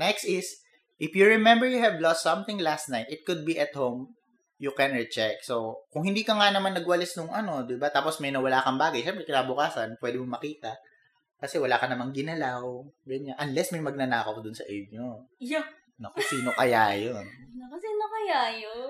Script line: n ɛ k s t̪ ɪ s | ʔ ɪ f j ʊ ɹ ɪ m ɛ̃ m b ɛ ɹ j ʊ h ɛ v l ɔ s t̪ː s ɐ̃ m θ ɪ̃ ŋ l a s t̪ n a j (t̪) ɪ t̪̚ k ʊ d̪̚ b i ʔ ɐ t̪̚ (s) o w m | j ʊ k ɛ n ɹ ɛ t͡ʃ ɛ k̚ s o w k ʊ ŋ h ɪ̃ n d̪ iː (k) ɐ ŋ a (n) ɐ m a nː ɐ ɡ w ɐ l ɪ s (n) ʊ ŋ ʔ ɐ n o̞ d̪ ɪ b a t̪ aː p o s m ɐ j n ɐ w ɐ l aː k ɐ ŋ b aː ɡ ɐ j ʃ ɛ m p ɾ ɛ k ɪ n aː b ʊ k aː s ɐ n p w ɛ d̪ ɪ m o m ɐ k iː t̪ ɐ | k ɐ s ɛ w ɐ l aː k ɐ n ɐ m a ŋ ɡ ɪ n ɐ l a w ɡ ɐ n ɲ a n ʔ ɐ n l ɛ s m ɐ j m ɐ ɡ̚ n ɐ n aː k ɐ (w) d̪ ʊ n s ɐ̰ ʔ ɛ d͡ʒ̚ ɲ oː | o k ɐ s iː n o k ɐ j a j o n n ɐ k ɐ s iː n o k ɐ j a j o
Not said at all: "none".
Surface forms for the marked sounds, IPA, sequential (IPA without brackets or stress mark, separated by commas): t̪, h, k, n, n, w